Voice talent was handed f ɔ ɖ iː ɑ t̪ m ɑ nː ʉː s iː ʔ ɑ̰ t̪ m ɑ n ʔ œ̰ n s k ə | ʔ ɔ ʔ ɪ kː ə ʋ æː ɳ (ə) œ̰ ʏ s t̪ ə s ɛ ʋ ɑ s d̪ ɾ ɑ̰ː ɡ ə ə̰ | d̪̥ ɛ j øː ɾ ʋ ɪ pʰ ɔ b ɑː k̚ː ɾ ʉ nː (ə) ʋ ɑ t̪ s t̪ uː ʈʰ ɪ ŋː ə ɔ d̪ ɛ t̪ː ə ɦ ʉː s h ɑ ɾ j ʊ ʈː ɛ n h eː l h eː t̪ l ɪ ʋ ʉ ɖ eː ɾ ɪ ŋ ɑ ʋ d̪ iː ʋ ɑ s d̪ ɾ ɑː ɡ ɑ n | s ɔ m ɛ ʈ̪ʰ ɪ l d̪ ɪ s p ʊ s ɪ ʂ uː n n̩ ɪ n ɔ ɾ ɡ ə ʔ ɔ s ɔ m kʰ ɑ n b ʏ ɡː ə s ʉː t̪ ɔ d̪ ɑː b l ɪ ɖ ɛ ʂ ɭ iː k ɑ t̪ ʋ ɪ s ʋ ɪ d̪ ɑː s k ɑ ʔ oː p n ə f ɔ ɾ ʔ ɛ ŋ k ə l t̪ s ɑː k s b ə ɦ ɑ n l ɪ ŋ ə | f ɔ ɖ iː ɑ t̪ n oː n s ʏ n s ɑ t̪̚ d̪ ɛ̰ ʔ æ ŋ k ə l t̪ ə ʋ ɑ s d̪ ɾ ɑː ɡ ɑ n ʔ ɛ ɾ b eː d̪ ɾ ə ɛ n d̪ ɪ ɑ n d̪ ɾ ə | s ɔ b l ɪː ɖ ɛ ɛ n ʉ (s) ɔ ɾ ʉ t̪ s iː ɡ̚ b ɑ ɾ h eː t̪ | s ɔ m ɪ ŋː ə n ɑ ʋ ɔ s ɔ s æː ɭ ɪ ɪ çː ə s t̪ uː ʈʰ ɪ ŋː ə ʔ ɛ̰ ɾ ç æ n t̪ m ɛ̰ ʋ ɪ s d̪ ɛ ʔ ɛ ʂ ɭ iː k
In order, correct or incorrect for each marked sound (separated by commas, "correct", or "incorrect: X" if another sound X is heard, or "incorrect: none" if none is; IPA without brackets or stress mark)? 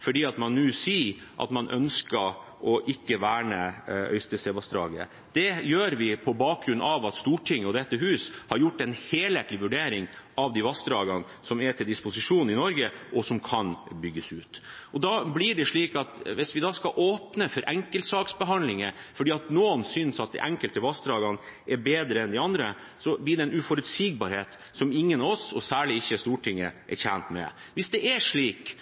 correct, incorrect: ɑ, incorrect: f